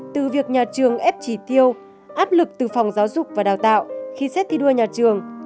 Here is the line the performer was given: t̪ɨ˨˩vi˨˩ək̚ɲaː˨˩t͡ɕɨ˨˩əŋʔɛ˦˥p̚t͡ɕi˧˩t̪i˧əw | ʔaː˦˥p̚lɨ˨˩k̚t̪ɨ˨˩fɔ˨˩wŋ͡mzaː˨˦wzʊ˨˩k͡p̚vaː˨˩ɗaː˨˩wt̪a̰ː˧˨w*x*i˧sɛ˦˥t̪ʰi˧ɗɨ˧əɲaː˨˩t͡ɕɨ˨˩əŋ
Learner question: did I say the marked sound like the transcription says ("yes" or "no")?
yes